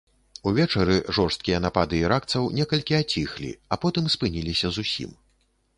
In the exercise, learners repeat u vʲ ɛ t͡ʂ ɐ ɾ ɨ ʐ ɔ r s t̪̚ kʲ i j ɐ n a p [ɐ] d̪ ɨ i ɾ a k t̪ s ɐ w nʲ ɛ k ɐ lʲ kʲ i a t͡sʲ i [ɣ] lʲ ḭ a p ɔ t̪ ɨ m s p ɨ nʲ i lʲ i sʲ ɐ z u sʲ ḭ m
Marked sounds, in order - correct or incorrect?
incorrect: a, incorrect: x

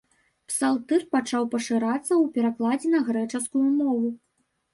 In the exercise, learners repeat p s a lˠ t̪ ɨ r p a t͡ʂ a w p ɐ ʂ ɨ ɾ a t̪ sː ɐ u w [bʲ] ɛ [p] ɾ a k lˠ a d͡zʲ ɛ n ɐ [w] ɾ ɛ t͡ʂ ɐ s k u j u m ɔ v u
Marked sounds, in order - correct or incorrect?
incorrect: pʲ, incorrect: none, incorrect: ɣ

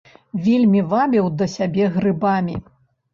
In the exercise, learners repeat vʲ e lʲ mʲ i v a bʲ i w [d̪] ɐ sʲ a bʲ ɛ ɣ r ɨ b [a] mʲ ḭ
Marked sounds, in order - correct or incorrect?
correct, correct

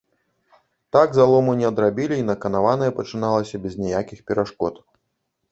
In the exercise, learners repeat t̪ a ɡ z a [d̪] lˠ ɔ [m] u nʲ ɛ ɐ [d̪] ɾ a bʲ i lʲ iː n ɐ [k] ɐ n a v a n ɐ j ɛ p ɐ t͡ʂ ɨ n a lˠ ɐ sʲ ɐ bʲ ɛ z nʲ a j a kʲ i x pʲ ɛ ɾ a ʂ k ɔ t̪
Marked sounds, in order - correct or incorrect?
incorrect: none, correct, correct, correct

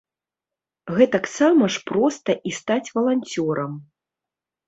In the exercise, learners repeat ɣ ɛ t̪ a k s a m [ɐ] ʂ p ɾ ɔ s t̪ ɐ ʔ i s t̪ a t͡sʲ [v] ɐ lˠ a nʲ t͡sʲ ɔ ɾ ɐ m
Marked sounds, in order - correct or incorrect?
correct, correct

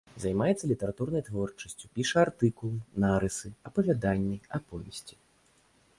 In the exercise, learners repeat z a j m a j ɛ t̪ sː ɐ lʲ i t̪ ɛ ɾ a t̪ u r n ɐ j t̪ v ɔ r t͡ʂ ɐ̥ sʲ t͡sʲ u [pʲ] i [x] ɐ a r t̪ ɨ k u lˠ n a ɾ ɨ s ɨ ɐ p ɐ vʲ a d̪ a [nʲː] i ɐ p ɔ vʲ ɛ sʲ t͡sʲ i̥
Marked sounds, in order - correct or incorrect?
correct, incorrect: ʂ, correct

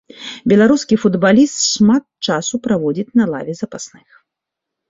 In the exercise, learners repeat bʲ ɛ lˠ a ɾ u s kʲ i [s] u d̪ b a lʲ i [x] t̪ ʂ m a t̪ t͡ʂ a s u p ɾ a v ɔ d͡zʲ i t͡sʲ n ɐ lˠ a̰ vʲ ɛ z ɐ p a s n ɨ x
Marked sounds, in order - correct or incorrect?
incorrect: f, incorrect: s

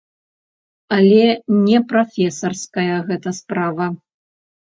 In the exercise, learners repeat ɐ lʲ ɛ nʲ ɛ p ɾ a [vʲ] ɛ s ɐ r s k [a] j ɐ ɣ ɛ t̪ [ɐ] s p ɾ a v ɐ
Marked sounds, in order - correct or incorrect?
incorrect: fʲ, incorrect: ɐ, correct

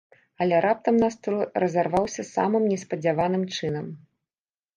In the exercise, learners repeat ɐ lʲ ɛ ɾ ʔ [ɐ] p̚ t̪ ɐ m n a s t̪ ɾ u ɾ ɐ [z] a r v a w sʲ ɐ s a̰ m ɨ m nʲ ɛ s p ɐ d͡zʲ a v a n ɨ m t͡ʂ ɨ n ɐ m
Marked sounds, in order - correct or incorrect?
incorrect: a, correct

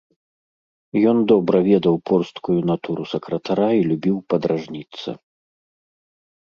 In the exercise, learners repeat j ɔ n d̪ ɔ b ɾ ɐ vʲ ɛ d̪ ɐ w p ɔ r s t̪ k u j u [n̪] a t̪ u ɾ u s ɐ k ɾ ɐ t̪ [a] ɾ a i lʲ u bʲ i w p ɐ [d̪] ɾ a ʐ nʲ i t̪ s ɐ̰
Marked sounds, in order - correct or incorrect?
correct, correct, correct

